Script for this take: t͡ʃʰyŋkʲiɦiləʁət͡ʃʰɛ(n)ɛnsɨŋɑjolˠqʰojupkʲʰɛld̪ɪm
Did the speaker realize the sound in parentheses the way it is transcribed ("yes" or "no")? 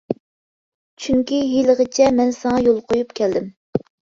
no